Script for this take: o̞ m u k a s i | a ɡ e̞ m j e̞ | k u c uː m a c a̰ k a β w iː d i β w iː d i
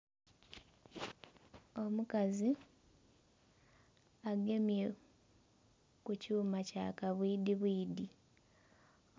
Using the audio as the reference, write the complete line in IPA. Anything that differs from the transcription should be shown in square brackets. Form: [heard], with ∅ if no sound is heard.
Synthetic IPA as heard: o̞ m u k a [z] i | a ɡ e̞ m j e̞ | k u c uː m a c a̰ k a β w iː d i β w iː d i